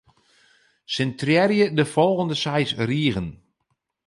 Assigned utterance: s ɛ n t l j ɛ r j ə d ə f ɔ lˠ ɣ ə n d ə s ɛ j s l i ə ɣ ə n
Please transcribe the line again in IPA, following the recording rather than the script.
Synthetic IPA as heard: s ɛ n t r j ɛ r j ə d ə f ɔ lˠ ɣ ə n d ə s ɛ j s r i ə ɣ ə n